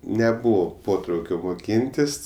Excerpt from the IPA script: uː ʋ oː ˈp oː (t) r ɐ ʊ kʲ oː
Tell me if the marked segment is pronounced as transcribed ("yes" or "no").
yes